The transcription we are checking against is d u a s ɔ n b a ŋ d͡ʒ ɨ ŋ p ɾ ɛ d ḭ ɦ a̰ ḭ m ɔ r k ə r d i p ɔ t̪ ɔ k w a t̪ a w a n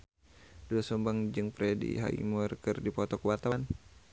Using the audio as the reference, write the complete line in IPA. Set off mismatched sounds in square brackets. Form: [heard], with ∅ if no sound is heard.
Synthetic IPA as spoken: d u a s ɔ [m] b a ŋ d͡ʒ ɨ ŋ p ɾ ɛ d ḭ ɦ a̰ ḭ m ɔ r k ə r d i p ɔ t̪ ɔ k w a t̪ a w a n